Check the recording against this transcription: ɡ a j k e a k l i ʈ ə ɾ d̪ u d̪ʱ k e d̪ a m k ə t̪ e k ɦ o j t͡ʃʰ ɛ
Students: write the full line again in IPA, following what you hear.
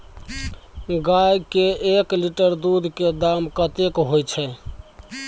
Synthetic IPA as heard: ɡ a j k e e k l i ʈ ə ɾ d̪ u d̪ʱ k e d̪ a m k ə t̪ e k ɦ o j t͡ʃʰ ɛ